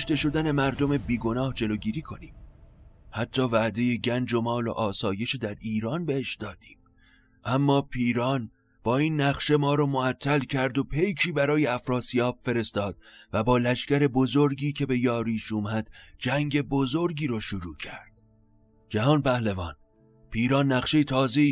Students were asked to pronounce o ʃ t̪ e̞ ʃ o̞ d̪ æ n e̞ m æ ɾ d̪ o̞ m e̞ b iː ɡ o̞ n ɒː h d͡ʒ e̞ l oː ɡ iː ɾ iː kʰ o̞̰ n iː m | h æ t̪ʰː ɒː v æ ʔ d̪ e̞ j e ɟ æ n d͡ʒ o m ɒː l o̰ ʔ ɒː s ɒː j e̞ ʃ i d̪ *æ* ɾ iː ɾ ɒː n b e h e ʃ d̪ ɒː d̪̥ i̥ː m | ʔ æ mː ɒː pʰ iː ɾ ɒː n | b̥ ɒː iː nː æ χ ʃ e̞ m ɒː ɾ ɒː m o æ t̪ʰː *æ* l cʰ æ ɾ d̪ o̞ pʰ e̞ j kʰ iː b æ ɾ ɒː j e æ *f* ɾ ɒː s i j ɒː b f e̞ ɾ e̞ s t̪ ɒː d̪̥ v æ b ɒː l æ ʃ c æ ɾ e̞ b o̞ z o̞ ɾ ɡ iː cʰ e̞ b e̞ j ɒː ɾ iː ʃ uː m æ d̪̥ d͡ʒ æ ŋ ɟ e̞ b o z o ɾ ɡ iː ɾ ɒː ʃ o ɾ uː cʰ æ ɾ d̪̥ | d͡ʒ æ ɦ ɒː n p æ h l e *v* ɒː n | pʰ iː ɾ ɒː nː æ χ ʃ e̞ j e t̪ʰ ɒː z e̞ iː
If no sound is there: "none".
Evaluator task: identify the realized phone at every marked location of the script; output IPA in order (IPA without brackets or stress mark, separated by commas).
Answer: æ, æ, f, v